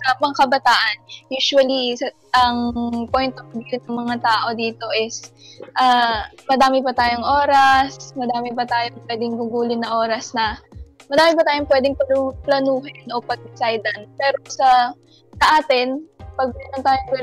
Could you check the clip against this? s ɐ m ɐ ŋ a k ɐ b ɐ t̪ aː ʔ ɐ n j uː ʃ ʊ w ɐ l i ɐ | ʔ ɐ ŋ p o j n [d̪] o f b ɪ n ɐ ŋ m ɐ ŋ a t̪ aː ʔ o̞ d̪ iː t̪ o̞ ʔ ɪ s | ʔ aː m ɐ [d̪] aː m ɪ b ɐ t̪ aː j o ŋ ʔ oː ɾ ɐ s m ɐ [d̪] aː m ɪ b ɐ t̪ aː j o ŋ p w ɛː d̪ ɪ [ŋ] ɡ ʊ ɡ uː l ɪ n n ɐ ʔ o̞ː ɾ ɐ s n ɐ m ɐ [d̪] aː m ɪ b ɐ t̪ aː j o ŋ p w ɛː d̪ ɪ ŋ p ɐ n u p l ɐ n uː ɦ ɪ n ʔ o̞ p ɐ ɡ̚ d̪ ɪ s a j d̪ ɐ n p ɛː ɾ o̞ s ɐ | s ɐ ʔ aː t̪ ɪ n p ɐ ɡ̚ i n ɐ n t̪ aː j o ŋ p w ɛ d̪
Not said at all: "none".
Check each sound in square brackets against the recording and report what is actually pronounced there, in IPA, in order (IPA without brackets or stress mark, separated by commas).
t̪, d̪, d̪, ŋ, d̪